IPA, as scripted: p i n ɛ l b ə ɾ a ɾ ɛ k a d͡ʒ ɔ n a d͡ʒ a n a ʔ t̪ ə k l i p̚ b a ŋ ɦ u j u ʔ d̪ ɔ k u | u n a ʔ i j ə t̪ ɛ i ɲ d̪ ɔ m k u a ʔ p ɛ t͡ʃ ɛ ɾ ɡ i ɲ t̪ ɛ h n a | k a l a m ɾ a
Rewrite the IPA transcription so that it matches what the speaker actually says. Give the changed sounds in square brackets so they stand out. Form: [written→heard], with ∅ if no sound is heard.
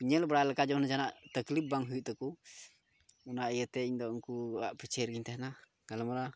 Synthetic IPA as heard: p i [n→ɲ] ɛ l b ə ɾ a [ɾ→l] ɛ k a d͡ʒ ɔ n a d͡ʒ a n a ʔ t̪ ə k l i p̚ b a ŋ ɦ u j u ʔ [d̪→t̪] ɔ k u | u n a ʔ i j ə t̪ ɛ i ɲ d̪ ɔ [m→ŋ] k u a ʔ p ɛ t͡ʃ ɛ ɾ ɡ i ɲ t̪ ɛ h n a | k a l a m ɾ a

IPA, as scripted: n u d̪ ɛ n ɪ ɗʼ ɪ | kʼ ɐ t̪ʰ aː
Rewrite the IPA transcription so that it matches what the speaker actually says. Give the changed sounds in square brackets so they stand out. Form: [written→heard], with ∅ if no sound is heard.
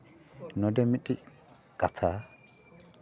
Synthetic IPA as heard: n [u→ɔ] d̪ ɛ [n→m] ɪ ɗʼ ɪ | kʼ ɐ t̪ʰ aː

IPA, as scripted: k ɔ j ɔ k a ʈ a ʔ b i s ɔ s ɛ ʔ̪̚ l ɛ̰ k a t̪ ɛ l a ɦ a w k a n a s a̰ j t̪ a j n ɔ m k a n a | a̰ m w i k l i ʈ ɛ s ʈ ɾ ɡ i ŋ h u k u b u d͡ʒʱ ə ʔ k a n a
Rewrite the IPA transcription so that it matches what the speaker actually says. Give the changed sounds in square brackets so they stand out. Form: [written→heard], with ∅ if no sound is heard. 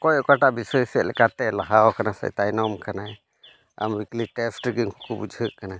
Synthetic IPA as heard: k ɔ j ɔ k a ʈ a ʔ b i s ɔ s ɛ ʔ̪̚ l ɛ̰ k a t̪ ɛ l a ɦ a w k a n a s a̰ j t̪ a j n ɔ m k a n a | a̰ m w i k l i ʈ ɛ s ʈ ɾ ɡ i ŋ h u k u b u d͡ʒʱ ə ʔ k a n a

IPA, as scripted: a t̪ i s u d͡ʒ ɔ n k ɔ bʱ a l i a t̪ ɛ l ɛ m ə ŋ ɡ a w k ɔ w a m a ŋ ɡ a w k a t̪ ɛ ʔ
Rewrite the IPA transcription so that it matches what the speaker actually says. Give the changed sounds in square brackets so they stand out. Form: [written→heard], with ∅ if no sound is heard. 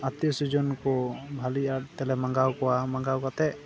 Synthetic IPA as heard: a t̪ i s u d͡ʒ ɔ n k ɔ bʱ a l i a t̪ ɛ l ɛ m [ə→a] ŋ ɡ a w k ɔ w a m a ŋ ɡ a w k a t̪ ɛ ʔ

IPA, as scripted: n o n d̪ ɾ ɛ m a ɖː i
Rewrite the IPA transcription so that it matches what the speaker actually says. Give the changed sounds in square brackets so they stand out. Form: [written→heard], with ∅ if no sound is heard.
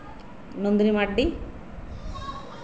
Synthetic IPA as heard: n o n d̪ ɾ [ɛ→i] m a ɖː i

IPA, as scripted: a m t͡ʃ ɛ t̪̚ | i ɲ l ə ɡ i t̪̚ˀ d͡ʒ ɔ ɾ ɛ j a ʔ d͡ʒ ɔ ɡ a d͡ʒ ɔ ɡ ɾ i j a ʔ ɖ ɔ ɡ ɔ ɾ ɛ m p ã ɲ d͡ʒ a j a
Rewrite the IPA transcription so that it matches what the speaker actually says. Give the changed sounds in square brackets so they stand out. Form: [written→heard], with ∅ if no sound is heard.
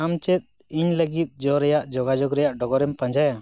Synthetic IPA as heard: a m t͡ʃ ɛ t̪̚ | i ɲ l ə ɡ i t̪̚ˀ d͡ʒ ɔ ɾ ɛ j a ʔ d͡ʒ ɔ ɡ a d͡ʒ ɔ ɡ ɾ [i→ɛ] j a ʔ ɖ ɔ ɡ ɔ ɾ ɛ m p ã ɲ d͡ʒ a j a

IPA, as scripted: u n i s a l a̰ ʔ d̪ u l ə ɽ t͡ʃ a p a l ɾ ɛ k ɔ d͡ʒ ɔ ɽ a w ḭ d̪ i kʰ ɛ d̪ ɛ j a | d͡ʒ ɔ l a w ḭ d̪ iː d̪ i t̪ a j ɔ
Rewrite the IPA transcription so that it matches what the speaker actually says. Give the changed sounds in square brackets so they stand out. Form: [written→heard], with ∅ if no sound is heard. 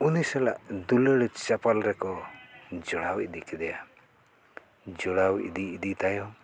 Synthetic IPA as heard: u n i s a l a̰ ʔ d̪ u l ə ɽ t͡ʃ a p a l ɾ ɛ k ɔ d͡ʒ ɔ ɽ a w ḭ d̪ i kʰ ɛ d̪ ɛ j a | d͡ʒ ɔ [l→ɽ] a w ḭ d̪ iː d̪ i t̪ a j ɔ

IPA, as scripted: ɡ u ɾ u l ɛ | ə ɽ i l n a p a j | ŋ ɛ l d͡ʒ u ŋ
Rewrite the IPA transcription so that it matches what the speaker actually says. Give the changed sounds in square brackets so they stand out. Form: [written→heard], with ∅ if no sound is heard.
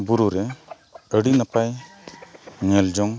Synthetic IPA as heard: [ɡ→b] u ɾ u [l→ɾ] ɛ | ə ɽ i [l→∅] n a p a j | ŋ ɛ l d͡ʒ [u→ɔ] ŋ

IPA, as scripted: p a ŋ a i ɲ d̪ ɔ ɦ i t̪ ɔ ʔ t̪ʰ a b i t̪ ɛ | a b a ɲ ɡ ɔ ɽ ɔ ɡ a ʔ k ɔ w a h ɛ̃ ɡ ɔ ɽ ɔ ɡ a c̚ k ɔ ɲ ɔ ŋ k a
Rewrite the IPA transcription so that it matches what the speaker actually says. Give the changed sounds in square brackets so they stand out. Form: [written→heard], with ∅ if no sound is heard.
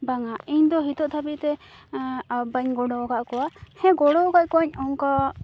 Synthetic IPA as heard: [p→b] a ŋ a i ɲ d̪ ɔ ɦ i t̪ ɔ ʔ t̪ʰ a b i t̪ ɛ | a b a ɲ ɡ ɔ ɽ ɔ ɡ a ʔ k ɔ w a h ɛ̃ ɡ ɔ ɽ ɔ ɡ a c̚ k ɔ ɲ ɔ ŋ k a

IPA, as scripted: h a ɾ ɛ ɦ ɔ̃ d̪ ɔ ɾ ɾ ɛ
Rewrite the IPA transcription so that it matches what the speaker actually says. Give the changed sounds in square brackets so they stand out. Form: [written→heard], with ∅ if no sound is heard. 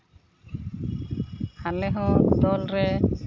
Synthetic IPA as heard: h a [ɾ→l] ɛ ɦ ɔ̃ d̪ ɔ [ɾ→l] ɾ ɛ

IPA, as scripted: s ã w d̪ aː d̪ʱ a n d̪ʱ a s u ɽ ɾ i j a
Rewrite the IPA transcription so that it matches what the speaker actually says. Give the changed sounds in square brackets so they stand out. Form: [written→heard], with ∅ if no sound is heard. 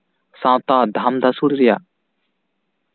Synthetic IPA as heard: s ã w [d̪→t̪] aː d̪ʱ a [n→m] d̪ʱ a s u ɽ ɾ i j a

